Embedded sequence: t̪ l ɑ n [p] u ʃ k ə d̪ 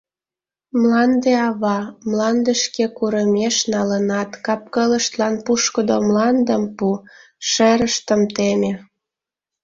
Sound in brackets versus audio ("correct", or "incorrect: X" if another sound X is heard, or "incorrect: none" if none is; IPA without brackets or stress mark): correct